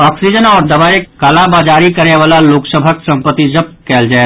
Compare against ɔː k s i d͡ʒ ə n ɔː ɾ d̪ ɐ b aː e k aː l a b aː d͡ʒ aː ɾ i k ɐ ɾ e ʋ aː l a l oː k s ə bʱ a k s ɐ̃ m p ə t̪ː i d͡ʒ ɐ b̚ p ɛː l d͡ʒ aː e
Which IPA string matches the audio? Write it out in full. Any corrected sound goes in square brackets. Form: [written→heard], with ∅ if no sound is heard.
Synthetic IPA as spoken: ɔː k s i d͡ʒ ə n ɔː ɾ d̪ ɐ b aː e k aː l a b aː d͡ʒ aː ɾ i k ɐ ɾ e ʋ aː l a l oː k s ə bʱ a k s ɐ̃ m p ə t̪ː i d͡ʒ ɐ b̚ [p→k] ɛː l d͡ʒ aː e